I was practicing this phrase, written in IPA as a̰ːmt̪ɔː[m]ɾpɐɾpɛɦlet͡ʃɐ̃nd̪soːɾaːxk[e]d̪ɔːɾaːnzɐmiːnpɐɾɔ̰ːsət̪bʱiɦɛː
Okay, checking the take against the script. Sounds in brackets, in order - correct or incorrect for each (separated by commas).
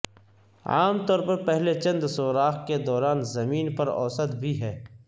incorrect, correct